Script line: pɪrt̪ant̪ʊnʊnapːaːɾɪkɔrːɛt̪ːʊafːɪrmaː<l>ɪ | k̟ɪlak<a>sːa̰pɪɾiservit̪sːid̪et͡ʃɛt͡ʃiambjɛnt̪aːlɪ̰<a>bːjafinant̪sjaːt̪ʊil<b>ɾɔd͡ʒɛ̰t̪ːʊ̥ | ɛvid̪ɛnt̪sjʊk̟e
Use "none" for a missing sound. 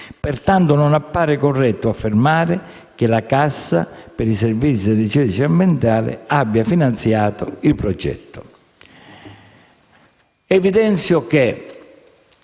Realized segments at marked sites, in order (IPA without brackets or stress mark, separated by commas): ɾ, a, a, p